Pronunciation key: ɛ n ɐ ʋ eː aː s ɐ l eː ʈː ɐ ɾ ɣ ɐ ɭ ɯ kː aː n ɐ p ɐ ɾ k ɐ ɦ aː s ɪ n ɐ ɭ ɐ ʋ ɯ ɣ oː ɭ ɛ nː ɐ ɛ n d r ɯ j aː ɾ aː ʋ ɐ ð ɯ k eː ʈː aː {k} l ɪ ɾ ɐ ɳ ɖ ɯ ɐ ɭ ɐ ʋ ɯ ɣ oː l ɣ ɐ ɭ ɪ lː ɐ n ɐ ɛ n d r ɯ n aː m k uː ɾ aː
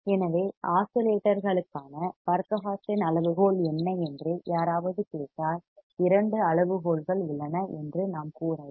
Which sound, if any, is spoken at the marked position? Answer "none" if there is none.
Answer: none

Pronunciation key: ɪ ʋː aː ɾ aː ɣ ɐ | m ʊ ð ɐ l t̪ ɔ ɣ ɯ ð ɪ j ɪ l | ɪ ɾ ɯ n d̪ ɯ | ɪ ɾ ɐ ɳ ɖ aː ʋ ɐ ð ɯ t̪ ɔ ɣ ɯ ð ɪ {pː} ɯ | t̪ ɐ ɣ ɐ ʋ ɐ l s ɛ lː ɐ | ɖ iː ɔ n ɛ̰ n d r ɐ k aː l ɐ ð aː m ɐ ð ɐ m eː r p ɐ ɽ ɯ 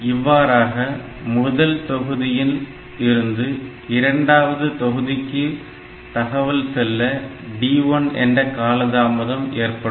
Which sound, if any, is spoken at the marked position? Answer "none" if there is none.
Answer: kː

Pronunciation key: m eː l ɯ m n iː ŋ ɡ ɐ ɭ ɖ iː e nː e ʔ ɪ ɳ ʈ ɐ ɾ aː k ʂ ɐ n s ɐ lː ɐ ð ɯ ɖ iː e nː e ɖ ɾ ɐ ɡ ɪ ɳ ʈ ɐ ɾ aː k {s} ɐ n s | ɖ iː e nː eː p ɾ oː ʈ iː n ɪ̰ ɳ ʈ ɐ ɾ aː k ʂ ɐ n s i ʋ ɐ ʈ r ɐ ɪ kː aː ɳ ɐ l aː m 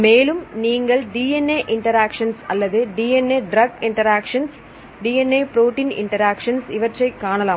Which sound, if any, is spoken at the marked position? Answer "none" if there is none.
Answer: ʂ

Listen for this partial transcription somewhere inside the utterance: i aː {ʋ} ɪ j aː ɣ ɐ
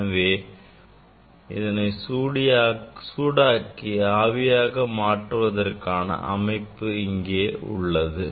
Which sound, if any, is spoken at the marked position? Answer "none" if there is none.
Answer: ʋ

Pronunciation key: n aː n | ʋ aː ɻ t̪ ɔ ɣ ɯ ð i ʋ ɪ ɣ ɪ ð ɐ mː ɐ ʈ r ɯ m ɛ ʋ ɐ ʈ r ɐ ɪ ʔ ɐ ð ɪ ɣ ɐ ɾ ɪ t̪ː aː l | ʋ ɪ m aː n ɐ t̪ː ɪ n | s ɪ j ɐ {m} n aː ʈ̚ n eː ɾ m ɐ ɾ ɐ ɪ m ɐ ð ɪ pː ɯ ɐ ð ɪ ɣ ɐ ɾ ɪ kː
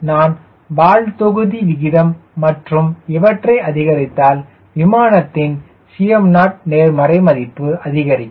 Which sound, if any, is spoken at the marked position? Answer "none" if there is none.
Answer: m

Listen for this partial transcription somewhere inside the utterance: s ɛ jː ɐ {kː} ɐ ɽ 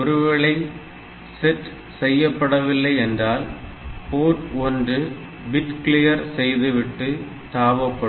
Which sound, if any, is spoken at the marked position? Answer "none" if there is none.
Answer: pː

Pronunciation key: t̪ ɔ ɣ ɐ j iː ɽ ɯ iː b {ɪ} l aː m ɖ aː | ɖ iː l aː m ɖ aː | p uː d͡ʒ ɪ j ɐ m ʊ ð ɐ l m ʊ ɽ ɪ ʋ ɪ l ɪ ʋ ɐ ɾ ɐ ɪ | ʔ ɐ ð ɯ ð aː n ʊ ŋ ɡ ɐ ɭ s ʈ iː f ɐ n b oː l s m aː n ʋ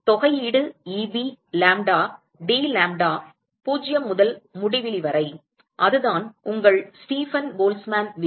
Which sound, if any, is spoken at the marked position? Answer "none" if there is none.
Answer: i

